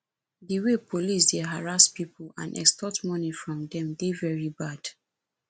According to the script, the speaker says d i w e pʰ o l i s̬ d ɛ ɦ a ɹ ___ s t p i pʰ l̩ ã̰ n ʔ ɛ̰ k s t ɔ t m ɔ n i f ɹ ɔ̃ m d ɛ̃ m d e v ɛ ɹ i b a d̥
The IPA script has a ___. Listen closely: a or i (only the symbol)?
a